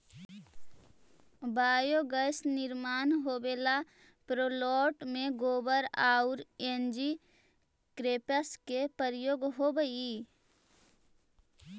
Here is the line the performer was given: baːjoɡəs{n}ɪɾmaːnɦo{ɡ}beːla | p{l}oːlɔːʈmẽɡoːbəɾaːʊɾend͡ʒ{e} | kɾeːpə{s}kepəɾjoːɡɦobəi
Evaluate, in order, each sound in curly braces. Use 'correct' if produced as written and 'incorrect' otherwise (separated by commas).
correct, incorrect, incorrect, incorrect, correct